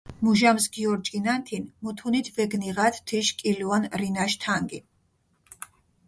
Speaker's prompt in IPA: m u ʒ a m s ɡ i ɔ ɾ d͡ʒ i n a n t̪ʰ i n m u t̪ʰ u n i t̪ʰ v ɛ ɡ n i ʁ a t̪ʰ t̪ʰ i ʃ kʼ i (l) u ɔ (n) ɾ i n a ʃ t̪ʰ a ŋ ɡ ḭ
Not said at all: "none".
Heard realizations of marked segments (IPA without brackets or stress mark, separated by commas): l, n